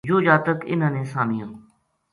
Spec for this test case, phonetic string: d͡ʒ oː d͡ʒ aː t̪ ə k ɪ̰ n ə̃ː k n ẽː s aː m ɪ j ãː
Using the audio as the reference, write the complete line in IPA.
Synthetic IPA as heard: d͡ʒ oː d͡ʒ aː t̪ ə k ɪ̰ n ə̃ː n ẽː s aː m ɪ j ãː